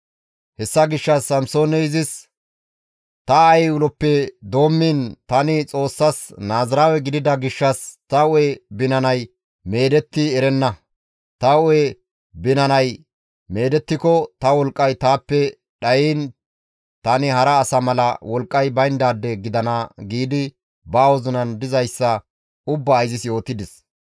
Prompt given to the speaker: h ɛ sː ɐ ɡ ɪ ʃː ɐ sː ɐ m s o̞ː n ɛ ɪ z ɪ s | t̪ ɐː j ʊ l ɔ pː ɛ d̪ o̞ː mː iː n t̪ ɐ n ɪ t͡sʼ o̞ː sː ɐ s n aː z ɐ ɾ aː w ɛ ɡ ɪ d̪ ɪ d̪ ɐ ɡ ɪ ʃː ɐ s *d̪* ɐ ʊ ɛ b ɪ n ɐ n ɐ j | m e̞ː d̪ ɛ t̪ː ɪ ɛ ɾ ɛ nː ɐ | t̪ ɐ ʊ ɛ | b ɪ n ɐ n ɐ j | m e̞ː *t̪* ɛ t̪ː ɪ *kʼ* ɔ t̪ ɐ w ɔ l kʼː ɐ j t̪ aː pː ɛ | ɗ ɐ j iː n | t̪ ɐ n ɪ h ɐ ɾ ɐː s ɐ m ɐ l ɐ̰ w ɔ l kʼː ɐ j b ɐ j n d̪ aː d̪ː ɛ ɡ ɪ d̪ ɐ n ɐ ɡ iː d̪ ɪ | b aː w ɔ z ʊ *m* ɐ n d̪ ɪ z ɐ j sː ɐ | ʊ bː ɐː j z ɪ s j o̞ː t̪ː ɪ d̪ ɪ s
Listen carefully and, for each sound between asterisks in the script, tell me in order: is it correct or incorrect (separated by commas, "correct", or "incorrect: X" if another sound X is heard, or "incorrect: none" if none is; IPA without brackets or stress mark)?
incorrect: t̪, incorrect: d̪, incorrect: k, incorrect: n